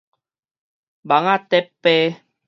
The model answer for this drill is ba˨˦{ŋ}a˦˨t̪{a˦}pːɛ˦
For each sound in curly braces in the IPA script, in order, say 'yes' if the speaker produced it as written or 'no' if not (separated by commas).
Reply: yes, no